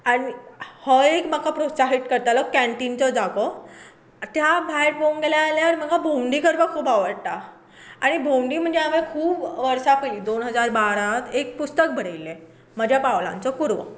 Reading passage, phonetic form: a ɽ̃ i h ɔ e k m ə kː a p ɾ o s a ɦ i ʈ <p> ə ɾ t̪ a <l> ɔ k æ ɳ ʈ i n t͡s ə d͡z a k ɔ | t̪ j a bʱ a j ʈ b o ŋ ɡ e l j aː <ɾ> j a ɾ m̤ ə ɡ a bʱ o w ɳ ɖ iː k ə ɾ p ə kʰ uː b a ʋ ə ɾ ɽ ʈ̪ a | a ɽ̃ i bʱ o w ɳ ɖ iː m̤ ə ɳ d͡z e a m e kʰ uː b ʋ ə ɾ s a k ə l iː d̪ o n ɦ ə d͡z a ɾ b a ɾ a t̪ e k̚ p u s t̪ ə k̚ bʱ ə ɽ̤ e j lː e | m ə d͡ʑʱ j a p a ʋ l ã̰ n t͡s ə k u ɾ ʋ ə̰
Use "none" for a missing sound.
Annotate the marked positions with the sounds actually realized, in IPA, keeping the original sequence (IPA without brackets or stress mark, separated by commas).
k, l, l